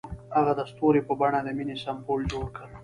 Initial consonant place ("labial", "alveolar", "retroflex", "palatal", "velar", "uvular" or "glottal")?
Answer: velar